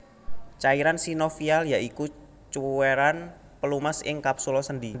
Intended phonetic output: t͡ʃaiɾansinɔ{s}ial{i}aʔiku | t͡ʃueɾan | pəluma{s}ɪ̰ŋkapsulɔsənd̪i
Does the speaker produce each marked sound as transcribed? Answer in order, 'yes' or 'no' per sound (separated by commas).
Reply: no, no, yes